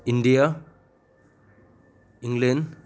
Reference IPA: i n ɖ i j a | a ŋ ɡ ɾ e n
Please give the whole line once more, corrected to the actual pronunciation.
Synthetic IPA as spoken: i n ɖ i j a | i ŋ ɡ l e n